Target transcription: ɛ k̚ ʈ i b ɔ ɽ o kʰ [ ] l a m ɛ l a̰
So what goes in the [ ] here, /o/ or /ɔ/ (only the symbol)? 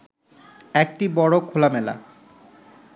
o